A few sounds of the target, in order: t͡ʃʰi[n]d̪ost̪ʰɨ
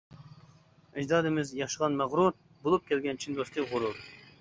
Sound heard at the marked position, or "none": n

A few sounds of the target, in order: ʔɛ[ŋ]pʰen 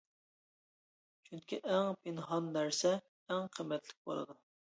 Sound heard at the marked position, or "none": ŋ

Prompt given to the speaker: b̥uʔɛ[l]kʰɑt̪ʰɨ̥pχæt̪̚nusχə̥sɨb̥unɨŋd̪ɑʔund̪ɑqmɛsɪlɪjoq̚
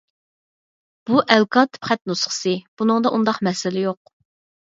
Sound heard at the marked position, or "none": l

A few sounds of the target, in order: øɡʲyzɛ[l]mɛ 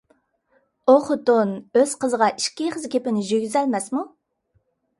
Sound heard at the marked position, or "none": l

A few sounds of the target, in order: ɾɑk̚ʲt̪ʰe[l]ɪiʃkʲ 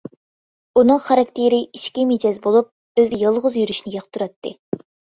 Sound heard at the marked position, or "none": ɾ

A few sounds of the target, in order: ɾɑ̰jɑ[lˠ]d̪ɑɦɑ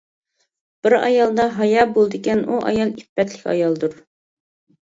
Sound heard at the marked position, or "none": lˠ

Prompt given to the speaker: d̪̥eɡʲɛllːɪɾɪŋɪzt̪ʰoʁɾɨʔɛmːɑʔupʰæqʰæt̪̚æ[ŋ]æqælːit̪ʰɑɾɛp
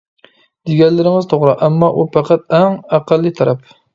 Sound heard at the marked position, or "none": ŋ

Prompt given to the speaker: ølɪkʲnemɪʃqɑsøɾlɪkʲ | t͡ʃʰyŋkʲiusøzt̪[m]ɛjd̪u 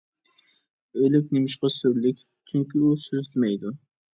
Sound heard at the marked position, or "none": m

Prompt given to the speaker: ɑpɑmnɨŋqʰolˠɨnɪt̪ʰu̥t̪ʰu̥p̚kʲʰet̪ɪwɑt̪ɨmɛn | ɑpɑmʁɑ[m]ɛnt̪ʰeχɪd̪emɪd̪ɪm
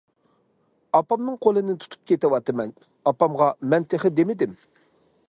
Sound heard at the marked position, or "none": m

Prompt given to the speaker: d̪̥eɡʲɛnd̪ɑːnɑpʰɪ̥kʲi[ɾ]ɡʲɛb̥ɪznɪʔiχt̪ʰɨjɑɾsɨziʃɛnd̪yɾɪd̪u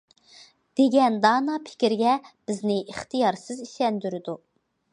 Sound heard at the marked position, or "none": ɾ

